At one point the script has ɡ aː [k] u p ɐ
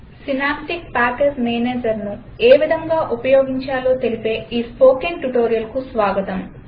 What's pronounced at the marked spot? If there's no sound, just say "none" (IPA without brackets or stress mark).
ʔ